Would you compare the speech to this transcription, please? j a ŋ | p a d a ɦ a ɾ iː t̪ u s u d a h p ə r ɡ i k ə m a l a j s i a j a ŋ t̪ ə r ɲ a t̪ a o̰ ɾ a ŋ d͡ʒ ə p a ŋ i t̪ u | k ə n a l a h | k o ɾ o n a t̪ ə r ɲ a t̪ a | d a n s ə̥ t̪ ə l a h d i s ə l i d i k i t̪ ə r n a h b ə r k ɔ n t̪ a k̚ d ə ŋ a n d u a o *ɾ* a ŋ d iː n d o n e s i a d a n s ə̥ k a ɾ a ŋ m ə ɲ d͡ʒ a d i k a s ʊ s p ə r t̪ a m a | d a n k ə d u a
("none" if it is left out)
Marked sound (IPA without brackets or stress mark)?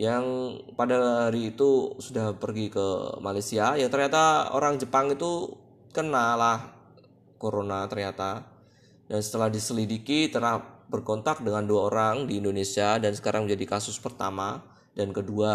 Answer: ɾ